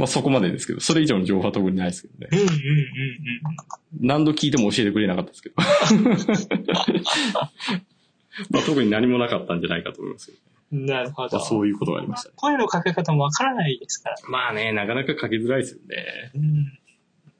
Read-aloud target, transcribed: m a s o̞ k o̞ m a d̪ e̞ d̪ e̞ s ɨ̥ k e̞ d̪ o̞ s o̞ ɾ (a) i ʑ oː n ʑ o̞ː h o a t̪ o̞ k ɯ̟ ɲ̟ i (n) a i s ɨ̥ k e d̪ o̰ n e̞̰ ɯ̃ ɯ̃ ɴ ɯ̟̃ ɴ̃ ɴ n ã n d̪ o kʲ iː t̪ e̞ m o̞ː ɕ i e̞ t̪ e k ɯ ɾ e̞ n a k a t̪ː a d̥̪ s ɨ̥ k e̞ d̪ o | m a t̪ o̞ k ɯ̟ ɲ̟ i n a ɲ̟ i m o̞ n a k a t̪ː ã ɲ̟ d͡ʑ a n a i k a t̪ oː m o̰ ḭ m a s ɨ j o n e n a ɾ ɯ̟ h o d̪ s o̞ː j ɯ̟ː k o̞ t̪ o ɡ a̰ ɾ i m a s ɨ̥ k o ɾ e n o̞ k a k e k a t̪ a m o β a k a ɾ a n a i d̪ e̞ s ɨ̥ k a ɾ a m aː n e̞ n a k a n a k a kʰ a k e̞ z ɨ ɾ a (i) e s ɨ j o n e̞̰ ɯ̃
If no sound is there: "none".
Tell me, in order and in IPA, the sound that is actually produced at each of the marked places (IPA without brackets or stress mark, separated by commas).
e, n, i